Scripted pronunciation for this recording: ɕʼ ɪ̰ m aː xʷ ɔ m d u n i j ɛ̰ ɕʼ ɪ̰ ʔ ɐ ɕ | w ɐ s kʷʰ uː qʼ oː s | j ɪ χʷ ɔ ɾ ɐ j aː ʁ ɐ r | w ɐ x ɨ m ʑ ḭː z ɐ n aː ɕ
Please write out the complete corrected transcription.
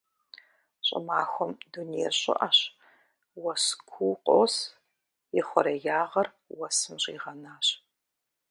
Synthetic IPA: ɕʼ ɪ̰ m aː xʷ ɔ m d u n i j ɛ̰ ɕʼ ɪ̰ ʔ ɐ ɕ | w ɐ s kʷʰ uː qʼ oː s | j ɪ χʷ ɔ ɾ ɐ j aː ʁ ɐ r | w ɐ s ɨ m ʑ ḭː ʁ ɐ n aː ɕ